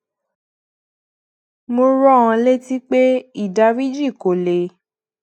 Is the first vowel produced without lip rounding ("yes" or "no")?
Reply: no